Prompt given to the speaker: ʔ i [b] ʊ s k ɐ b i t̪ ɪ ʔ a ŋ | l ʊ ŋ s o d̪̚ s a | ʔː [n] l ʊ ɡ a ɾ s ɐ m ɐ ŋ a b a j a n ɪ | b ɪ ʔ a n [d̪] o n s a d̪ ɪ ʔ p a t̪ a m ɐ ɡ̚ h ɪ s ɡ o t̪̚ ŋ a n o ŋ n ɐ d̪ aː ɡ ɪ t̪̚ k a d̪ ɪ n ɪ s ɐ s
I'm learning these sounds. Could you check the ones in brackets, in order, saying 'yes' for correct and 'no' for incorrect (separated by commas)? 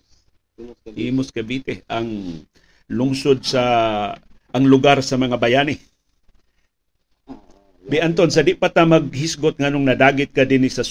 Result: no, no, no